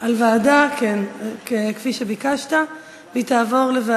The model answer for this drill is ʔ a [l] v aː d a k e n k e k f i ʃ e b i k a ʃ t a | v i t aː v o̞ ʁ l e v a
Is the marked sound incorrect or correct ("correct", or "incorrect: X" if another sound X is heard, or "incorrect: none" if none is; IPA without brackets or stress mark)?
correct